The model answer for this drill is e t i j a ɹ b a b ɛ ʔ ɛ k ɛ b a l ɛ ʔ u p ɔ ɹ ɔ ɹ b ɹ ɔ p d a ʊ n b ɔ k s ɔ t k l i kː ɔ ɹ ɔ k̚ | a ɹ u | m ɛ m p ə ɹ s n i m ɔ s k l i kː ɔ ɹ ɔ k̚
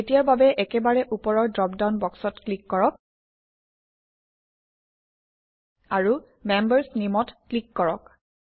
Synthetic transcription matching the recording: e t i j a ɹ b a b ɛ ʔ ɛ k ɛ b a ɹ ɛ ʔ u p ɔ ɹ ɔ ɹ d ɹ ɔ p d a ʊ n b ɔ k s ɔ t k l i kː ɔ ɹ ɔ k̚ | a ɹ u | m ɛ m b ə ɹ s n i m ɔ t k l i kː ɔ ɹ ɔ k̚